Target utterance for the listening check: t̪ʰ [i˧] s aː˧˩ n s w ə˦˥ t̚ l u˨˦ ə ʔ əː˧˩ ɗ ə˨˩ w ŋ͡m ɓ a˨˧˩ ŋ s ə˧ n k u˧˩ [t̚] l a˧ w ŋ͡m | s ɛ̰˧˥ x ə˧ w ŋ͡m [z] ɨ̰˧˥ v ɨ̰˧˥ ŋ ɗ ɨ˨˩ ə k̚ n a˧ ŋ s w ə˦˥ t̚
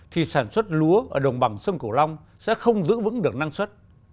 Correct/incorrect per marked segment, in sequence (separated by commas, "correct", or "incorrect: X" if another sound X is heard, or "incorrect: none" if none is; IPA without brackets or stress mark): incorrect: i˨˩, incorrect: none, correct